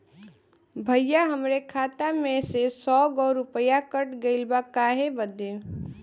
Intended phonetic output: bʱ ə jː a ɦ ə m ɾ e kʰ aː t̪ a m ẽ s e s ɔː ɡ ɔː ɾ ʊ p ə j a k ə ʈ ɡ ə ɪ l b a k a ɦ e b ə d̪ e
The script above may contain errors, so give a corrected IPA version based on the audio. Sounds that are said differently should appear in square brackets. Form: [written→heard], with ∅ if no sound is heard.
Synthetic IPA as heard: bʱ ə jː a ɦ ə m ɾ e kʰ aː t̪ a m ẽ s e s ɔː ɡ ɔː ɾ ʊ p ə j a k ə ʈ ɡ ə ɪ l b a k a ɦ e b ə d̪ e